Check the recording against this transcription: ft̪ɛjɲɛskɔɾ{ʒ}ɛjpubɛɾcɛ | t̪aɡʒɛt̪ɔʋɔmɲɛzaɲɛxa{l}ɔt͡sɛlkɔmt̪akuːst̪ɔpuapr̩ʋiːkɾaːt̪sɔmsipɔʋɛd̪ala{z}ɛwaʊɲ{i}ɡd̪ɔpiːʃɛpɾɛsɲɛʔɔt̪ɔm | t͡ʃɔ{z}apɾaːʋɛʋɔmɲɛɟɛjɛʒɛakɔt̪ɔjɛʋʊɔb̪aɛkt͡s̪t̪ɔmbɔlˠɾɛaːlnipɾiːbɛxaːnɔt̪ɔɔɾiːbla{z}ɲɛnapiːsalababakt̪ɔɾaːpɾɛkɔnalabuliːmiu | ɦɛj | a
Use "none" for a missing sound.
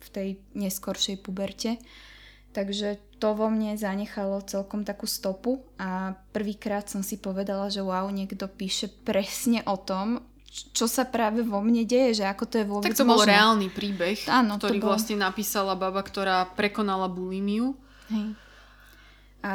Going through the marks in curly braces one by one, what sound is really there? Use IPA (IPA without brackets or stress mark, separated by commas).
ʃ, l, ʒ, ɛ, s, s